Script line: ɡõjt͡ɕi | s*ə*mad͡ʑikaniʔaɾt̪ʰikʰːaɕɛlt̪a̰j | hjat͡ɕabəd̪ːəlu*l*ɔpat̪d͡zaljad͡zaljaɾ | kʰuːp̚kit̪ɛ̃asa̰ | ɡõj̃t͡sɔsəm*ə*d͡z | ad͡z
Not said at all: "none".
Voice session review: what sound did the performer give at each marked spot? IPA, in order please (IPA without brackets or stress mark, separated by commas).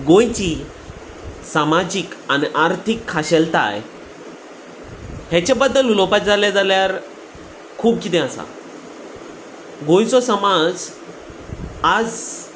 a, l, a